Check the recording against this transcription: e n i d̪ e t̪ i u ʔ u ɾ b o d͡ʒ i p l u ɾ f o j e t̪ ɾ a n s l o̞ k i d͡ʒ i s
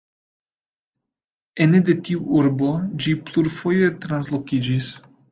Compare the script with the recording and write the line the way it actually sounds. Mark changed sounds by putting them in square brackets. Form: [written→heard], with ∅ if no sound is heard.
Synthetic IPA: e n [i→e] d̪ e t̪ i u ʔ u ɾ b o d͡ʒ i p l u ɾ f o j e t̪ ɾ a n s l o̞ k i d͡ʒ i s